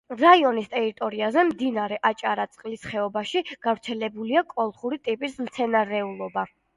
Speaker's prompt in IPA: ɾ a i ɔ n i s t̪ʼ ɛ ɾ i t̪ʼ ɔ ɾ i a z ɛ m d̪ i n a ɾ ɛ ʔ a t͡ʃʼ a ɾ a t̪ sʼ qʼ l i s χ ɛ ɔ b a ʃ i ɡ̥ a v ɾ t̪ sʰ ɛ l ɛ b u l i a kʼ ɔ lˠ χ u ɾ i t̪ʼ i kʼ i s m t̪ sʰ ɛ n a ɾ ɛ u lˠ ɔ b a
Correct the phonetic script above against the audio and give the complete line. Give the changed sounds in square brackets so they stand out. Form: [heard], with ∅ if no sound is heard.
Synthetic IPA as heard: ɾ a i ɔ n i s t̪ʼ ɛ ɾ i t̪ʼ ɔ ɾ i a z ɛ m d̪ i n a ɾ ɛ ʔ a t͡ʃʼ a ɾ a t̪ sʼ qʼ l i s χ ɛ ɔ b a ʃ i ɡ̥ a v ɾ t̪ sʰ ɛ l ɛ b u l i a kʼ ɔ lˠ χ u ɾ i t̪ʼ i [pʼ] i s m t̪ sʰ ɛ n a ɾ ɛ u lˠ ɔ b a